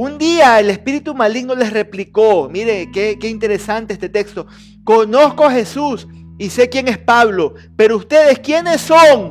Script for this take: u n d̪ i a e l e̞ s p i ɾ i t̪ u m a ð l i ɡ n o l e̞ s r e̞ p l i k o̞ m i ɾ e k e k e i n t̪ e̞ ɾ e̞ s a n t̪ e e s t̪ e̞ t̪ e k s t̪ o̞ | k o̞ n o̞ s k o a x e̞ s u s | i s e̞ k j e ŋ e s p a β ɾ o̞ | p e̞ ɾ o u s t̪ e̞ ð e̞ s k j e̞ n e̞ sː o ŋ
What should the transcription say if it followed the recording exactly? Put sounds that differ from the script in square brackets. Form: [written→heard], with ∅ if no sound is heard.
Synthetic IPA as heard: u n d̪ i a e l e̞ s p i ɾ i t̪ u m a [ð→∅] l i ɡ n o l e̞ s r e̞ p l i k o̞ m i ɾ e k e k e i n t̪ e̞ ɾ e̞ s a n t̪ e e s t̪ e̞ t̪ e k s t̪ o̞ | k o̞ n o̞ s k o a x e̞ s u s | i s e̞ k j e ŋ e s p a β [ɾ→l] o̞ | p e̞ ɾ o u s t̪ e̞ ð e̞ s k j e̞ n e̞ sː o ŋ